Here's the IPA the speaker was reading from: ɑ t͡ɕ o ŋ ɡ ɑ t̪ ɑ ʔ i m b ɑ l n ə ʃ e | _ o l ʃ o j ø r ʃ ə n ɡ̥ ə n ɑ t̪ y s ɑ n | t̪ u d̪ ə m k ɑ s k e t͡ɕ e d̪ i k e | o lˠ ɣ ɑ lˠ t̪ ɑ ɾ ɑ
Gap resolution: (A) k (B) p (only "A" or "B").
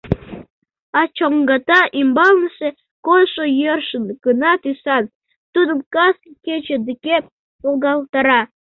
A